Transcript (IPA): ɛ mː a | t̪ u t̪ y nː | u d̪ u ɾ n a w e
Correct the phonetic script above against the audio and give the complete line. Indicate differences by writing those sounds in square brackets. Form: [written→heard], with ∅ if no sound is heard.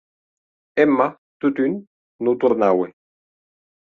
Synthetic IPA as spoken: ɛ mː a | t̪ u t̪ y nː | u [d̪→t̪] u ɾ n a w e